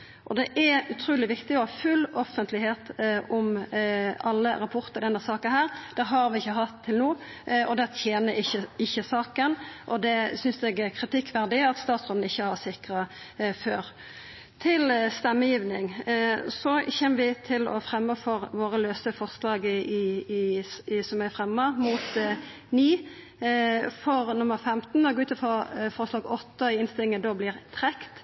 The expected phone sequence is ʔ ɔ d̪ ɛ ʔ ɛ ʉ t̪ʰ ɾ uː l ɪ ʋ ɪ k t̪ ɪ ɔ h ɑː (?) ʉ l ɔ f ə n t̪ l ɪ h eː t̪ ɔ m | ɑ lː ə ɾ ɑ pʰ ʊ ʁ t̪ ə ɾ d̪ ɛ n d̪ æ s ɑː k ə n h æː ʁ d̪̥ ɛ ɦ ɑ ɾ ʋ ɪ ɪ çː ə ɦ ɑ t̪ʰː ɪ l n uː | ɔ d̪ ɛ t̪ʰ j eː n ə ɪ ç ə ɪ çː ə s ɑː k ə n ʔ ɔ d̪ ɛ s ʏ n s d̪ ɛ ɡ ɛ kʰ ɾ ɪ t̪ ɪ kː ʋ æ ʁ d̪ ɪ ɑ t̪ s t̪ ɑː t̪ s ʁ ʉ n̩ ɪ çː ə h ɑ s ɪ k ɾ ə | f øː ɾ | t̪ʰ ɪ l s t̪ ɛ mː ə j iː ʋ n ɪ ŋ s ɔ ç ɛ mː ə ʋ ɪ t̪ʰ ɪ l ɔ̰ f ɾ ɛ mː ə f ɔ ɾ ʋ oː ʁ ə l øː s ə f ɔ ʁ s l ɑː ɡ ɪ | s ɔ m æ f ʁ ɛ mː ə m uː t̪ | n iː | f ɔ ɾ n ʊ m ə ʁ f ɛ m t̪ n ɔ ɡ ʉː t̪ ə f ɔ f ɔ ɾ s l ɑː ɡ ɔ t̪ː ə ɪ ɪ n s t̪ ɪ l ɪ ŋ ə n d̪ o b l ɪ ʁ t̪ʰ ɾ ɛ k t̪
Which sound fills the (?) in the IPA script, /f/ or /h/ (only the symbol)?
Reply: f